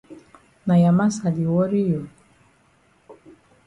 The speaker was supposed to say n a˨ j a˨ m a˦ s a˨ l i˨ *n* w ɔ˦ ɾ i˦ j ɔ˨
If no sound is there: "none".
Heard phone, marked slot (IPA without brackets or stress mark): none